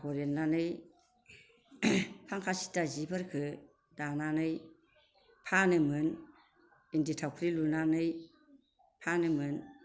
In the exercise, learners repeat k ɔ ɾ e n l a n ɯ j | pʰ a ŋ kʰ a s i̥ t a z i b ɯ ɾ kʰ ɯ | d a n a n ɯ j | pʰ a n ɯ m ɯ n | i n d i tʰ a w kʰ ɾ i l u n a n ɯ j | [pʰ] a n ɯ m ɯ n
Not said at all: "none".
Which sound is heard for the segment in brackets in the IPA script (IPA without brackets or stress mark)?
pʰ